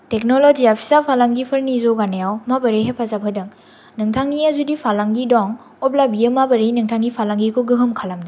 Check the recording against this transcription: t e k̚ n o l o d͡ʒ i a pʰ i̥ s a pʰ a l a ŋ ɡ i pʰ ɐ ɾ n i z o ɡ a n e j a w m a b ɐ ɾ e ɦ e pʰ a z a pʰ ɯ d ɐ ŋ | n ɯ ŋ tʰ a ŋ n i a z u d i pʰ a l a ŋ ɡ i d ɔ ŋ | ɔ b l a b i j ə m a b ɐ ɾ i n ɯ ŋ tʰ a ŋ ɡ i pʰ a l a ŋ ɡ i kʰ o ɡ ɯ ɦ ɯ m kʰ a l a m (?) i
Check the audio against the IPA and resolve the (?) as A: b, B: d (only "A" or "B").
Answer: B